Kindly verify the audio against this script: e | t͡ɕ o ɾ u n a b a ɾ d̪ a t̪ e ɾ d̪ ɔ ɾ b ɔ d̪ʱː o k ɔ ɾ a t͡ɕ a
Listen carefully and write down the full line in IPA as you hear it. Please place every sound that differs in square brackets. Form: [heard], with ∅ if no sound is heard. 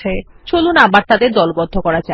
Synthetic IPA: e | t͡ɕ o [l] u n a b a ɾ [t̪] a [d̪] e ɾ d̪ ɔ [l] b ɔ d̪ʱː o k ɔ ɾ a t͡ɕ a